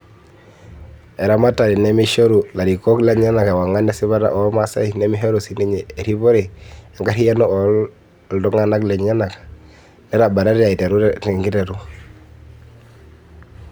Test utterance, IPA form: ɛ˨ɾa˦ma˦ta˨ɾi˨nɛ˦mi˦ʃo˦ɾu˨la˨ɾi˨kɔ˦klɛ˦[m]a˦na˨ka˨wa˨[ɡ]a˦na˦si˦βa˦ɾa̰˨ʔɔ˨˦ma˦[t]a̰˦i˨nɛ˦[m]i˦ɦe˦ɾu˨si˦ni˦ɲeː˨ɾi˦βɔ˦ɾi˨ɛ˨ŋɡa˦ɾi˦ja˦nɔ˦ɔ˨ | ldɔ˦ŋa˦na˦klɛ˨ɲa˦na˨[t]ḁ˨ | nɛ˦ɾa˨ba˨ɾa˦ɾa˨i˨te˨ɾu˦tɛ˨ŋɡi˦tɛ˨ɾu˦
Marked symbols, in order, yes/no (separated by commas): no, no, no, yes, no